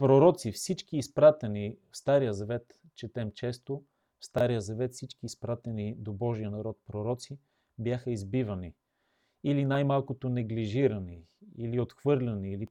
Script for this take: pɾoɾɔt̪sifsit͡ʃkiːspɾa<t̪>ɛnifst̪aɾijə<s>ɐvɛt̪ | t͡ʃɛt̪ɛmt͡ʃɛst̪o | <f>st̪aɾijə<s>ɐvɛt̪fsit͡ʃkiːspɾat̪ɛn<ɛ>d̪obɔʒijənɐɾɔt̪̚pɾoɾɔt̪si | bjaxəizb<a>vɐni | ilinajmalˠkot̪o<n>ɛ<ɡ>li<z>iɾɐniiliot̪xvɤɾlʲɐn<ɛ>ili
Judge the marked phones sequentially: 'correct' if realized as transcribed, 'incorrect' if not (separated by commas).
correct, incorrect, correct, incorrect, incorrect, incorrect, correct, correct, incorrect, incorrect